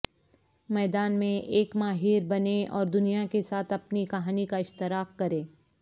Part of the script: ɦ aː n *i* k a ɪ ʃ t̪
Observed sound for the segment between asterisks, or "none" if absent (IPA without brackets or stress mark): i